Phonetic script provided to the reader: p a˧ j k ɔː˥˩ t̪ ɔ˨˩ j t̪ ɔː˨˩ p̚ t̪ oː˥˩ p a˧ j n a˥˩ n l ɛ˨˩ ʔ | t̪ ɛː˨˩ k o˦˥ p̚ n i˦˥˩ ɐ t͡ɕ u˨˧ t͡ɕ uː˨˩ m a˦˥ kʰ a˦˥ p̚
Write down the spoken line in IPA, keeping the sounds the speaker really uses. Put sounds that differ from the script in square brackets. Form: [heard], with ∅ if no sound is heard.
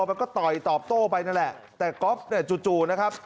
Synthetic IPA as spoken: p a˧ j k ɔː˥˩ t̪ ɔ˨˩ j t̪ ɔː˨˩ p̚ t̪ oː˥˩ p a˧ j n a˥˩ n l ɛ˨˩ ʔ | t̪ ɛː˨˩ k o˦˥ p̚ n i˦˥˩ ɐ t͡ɕ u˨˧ t͡ɕ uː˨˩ [n] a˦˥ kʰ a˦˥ p̚